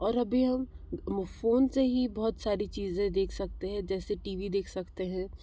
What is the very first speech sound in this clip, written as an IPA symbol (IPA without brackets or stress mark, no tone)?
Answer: ɔː